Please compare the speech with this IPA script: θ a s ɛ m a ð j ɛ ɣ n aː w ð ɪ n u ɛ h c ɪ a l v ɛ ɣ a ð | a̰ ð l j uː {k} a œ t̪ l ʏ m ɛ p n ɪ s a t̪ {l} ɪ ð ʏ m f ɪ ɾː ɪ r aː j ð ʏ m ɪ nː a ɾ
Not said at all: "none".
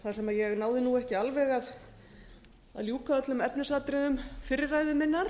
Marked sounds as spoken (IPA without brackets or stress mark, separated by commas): k, ɾ